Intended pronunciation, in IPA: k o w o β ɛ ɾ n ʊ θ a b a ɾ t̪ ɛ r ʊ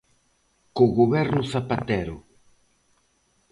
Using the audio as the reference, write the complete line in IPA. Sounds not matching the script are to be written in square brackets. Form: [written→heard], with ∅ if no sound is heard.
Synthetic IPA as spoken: k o [w→ɣ] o β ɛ ɾ n ʊ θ a [b→p] a [ɾ→∅] t̪ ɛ [r→ɾ] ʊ